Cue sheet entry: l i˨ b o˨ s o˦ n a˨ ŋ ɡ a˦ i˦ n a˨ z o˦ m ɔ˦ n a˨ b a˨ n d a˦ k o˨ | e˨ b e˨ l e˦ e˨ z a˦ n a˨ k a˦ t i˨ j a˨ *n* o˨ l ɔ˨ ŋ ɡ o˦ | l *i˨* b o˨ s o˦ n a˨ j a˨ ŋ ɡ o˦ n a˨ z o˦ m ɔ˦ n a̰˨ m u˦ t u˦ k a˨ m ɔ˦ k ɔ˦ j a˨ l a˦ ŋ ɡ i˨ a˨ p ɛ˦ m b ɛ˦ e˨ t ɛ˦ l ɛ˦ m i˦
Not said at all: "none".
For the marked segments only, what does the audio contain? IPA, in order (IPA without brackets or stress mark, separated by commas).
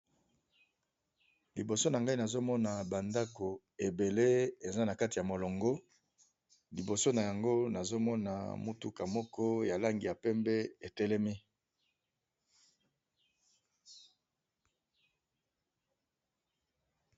m, i˨